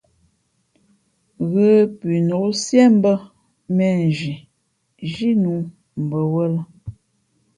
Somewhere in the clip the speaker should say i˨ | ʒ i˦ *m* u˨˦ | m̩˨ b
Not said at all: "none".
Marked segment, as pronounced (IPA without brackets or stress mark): n